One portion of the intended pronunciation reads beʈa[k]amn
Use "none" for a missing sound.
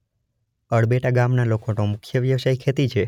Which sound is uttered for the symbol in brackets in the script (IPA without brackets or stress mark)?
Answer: ɡ